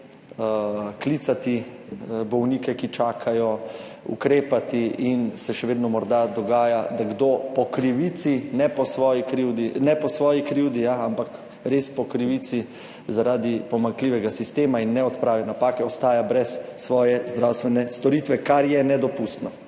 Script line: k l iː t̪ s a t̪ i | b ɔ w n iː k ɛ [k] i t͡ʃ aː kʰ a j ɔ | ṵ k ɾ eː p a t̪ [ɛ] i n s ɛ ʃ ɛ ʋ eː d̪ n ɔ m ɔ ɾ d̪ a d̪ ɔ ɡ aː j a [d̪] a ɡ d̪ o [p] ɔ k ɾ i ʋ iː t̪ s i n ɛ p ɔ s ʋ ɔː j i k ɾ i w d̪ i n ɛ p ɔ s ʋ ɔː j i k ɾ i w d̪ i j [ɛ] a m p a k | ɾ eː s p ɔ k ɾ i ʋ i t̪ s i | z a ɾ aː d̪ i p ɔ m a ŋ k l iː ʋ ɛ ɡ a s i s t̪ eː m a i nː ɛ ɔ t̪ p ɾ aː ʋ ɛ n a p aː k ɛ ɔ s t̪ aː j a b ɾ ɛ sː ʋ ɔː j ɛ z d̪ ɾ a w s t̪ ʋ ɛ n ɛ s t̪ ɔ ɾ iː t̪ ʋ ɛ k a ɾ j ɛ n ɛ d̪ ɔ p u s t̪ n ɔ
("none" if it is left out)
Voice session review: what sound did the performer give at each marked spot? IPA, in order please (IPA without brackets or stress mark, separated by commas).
k, i, d̪, p, a